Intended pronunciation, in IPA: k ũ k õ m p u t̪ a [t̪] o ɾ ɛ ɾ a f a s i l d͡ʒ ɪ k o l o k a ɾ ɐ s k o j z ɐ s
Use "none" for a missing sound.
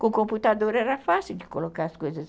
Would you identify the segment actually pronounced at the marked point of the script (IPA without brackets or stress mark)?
d̪